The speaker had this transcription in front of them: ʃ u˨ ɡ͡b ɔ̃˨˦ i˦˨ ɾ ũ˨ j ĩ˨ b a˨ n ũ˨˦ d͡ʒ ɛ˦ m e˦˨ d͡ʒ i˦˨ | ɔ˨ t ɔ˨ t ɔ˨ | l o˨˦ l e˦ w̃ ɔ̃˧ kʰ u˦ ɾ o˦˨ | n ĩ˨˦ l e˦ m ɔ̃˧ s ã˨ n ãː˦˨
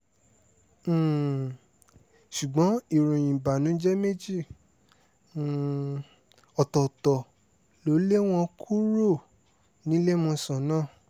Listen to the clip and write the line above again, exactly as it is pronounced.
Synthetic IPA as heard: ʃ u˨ ɡ͡b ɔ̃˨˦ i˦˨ ɾ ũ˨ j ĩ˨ b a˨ n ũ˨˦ d͡ʒ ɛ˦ m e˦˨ d͡ʒ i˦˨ | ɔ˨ t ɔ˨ t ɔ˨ | l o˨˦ l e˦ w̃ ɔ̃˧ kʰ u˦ ɾ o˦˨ | n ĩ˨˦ l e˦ m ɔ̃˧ s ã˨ n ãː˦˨